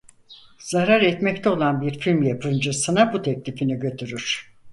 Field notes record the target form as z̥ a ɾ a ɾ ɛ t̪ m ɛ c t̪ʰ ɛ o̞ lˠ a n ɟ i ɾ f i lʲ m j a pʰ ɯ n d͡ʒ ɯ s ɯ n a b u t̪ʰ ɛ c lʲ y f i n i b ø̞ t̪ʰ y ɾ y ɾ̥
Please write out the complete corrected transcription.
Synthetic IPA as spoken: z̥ a ɾ a ɾ ɛ t̪ m ɛ c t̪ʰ ɛ o̞ lˠ a n b i ɾ f i lʲ m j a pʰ ɯ n d͡ʒ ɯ s ɯ n a b u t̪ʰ ɛ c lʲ i f i n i ɟ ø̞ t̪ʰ y ɾ y ɾ̥